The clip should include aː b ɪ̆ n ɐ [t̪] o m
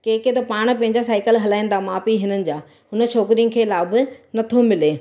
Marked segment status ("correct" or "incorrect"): incorrect